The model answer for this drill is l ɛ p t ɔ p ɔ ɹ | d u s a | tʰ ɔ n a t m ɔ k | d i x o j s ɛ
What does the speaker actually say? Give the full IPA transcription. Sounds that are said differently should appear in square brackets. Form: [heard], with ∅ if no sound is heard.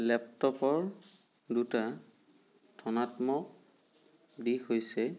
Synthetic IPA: l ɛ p t ɔ p ɔ ɹ | d u [t] a | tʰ ɔ n a t m ɔ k | d i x o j s ɛ